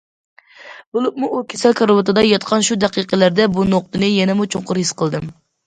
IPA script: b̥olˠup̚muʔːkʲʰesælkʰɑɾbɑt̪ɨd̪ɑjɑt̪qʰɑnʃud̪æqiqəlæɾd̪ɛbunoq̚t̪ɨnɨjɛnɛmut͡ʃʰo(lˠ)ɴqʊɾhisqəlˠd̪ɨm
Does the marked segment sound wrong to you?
yes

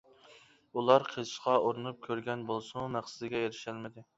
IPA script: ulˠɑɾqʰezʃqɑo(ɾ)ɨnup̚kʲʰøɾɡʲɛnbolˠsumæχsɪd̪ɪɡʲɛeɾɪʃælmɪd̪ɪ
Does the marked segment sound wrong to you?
no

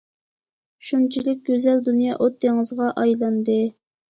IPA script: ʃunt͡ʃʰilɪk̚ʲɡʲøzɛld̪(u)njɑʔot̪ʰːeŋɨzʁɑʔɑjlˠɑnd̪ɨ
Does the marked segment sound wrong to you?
no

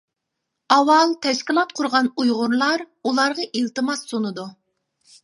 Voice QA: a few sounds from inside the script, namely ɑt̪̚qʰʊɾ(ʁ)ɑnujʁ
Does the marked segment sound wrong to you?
no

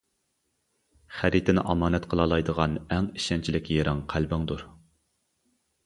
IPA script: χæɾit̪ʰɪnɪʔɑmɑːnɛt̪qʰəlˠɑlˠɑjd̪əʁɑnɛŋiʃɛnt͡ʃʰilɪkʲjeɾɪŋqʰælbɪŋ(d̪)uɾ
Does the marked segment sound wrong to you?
no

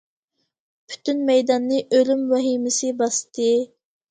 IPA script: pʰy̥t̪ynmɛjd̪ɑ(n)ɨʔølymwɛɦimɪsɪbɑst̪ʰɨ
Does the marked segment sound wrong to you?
yes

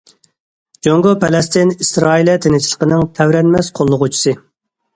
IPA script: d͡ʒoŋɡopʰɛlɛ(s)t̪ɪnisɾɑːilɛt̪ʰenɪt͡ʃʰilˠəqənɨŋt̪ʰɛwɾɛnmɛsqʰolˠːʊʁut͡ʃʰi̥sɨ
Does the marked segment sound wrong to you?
no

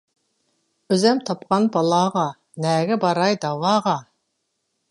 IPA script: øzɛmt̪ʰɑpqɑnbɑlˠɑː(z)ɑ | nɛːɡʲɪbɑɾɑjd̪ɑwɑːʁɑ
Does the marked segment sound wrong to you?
yes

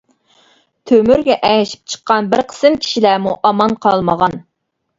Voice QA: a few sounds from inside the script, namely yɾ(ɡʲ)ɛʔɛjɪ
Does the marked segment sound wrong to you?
no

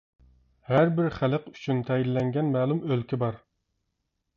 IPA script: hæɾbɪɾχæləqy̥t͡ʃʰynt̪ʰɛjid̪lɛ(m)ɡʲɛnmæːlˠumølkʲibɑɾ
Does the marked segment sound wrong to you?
yes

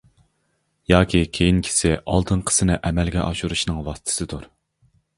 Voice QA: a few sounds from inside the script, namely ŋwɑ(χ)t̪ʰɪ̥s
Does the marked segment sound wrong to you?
yes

